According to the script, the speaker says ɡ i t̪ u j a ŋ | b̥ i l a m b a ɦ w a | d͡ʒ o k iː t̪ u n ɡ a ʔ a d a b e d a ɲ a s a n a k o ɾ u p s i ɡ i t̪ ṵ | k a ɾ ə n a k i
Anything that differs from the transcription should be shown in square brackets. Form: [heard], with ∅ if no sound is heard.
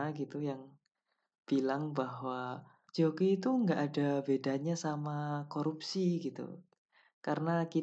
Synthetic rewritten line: ɡ i t̪ u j a ŋ | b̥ i l a [ŋ] b a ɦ w a | d͡ʒ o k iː t̪ u [ŋ] ɡ a ʔ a d a b e d a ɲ a s a [m] a k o ɾ u p s i ɡ i t̪ ṵ | k a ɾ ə n a k i